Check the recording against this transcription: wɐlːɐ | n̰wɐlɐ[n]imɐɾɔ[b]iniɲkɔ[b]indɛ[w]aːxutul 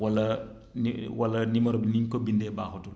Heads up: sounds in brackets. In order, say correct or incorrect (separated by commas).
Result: correct, correct, correct, incorrect